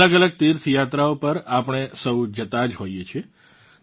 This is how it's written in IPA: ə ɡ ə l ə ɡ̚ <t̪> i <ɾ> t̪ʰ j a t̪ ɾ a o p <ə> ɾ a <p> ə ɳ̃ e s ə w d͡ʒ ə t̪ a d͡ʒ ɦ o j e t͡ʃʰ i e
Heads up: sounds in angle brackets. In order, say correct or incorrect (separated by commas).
correct, correct, correct, correct